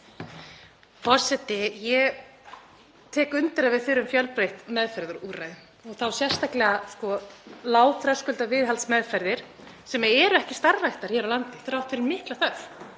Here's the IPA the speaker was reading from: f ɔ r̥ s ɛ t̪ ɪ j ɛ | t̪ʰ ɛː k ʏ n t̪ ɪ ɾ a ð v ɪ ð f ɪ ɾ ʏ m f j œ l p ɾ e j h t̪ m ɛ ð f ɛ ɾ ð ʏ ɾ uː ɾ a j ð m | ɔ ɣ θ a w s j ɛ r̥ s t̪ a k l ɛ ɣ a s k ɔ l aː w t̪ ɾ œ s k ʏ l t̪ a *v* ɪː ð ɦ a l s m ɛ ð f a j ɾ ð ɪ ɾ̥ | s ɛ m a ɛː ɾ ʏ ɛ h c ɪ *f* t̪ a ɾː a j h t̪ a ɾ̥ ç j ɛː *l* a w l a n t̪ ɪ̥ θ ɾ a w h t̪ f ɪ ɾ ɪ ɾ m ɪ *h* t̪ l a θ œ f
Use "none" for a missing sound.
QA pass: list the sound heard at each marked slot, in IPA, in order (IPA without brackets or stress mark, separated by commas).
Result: v, s, ɾ, h